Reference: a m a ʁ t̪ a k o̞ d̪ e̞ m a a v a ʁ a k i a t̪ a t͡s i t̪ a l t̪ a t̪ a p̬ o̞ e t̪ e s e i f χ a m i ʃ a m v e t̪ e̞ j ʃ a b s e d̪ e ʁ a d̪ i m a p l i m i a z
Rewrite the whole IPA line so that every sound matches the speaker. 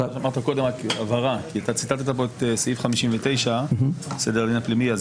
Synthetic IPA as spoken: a m a ʁ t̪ a k o̞ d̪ e̞ m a a v a ʁ a k i a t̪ a t͡s i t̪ a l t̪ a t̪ a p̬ o̞ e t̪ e s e i f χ a m i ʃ i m v e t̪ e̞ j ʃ a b s e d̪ e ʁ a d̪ i n a p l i m i a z